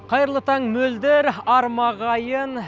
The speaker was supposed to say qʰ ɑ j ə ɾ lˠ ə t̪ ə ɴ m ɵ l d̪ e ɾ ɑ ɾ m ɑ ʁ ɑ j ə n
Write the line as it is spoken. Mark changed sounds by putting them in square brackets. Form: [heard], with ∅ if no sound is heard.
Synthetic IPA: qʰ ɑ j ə ɾ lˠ ə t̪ [ɑ] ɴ m ɵ l d̪ e ɾ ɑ ɾ m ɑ ʁ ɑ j ə n